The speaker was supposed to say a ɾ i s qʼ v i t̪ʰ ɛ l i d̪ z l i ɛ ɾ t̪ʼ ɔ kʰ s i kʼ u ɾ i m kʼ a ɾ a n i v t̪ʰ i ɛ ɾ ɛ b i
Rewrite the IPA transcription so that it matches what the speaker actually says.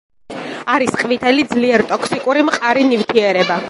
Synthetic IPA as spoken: a ɾ i s qʼ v i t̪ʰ ɛ l i d̪ z l i ɛ ɾ t̪ʼ ɔ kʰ s i kʼ u ɾ i m qʼ a ɾ i n i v t̪ʰ i ɛ ɾ ɛ b a